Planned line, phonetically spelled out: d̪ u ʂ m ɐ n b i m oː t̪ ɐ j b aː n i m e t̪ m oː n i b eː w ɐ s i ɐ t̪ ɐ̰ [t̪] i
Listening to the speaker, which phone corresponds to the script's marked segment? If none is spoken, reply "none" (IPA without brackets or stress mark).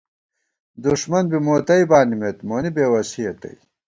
none